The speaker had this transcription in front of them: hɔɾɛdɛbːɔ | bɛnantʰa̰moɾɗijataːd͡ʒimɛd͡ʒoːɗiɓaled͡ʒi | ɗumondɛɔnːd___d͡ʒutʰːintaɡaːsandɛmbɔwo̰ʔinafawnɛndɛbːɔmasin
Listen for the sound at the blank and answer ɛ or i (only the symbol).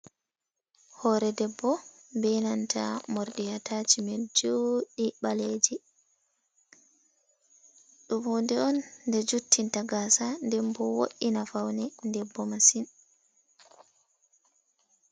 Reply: ɛ